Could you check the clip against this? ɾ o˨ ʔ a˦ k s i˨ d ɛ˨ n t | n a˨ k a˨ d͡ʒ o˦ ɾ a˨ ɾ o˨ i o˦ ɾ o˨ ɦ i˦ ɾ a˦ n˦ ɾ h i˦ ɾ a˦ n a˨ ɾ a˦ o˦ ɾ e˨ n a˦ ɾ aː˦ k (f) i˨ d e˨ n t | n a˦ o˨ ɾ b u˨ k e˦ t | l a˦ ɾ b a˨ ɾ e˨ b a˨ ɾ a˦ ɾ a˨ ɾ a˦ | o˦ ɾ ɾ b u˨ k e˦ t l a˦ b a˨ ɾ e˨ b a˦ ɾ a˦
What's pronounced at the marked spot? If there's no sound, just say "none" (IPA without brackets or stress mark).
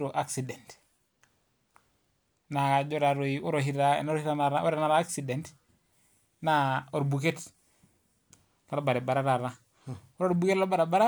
s